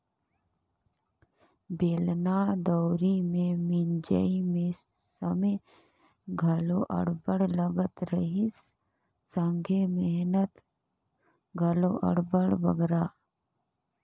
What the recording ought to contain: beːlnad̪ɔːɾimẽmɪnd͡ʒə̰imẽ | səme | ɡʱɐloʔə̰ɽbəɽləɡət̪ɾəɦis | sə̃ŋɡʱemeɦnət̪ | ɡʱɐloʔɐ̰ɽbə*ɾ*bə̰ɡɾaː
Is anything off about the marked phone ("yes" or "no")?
yes